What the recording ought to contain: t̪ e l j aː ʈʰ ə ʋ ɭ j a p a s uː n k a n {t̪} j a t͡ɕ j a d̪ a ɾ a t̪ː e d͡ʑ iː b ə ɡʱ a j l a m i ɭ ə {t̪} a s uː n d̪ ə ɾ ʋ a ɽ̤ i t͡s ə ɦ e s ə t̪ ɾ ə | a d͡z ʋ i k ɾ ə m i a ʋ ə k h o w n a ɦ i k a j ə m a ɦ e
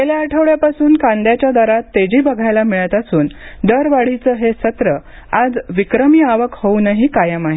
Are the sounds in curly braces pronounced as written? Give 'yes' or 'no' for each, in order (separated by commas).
no, yes